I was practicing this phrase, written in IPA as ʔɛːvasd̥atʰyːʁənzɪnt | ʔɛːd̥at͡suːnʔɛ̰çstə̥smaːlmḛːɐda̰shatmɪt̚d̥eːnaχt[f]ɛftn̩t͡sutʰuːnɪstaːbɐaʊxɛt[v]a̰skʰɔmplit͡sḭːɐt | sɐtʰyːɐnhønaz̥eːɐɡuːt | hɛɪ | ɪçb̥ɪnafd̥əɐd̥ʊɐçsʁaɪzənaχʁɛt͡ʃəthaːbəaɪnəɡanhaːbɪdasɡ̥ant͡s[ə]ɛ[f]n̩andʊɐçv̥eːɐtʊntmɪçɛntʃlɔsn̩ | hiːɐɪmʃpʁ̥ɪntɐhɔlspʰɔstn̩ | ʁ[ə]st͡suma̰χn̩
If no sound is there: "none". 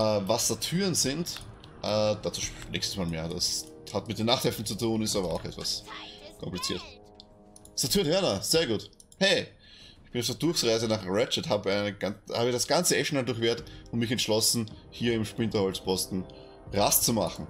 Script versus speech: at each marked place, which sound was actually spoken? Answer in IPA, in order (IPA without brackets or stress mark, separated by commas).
h, v, ə, ʃ, a